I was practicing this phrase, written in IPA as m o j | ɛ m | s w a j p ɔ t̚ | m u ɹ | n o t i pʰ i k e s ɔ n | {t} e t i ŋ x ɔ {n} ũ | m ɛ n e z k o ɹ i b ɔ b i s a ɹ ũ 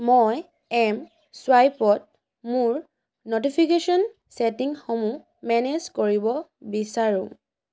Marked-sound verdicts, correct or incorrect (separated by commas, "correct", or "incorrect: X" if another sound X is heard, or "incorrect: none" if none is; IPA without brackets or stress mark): incorrect: s, incorrect: m